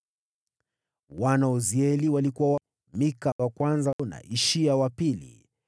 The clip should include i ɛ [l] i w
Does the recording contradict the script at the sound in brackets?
no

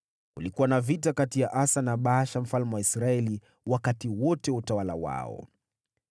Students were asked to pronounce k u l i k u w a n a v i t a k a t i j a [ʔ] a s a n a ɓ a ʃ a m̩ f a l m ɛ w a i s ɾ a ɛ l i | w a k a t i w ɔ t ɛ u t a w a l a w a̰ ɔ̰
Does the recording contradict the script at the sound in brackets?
no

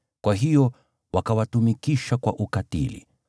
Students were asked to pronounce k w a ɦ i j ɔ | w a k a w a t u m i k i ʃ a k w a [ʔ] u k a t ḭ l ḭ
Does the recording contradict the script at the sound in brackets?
no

